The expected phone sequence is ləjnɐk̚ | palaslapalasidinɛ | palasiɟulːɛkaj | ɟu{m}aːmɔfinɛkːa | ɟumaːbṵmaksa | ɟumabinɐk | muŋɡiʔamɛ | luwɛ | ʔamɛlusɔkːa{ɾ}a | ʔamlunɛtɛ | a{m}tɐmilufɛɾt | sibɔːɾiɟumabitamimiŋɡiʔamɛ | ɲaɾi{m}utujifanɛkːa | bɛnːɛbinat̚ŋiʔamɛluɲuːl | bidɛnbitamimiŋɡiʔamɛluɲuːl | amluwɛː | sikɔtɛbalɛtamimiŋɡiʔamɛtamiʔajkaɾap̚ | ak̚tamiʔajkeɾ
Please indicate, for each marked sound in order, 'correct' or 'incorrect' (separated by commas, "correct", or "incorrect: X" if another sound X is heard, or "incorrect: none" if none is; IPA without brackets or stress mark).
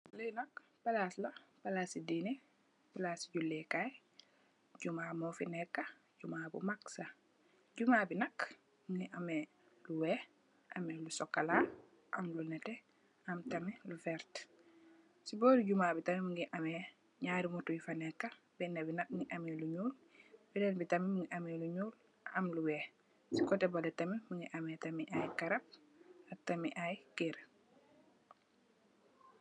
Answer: correct, incorrect: l, correct, correct